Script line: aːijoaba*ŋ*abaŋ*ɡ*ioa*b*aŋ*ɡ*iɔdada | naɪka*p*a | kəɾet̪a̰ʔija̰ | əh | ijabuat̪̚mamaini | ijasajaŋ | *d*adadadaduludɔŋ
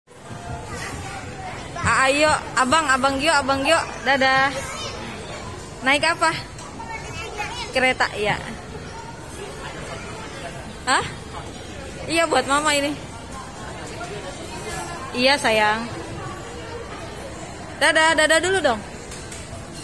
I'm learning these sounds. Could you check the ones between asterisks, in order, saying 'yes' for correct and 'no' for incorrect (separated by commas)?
yes, yes, yes, yes, yes, yes